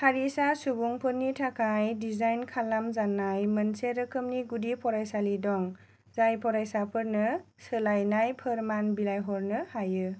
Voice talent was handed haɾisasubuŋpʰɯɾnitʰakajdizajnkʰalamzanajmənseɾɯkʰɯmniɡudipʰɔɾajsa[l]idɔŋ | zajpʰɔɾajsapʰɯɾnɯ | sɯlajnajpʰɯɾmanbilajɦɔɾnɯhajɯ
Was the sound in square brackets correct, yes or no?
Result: yes